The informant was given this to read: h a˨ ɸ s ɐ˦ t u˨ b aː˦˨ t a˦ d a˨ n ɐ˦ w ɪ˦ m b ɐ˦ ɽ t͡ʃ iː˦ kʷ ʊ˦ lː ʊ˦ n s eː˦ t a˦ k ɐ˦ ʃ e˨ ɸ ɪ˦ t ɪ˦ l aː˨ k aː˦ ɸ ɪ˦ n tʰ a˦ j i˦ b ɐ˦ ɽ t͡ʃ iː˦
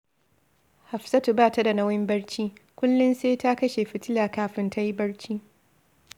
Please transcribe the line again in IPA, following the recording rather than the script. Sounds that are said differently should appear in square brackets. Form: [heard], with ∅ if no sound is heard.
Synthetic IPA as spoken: h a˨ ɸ s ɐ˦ t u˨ b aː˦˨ t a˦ d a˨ n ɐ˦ w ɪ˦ m b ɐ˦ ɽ t͡ʃ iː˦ kʷ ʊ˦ lː ʊ˦ n s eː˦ t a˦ k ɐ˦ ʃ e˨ ɸ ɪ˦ t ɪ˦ l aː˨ k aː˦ ɸ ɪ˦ n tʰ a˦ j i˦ b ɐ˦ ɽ t͡ʃ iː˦